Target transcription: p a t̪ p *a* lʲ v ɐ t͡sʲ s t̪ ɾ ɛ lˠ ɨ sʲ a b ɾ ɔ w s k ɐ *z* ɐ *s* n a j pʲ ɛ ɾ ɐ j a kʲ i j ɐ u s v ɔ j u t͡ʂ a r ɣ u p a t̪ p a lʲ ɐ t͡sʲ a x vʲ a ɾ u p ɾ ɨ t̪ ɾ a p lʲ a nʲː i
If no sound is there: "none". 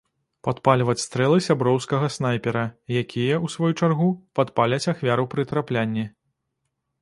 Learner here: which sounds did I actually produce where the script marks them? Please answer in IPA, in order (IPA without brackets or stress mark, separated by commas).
a, ɣ, s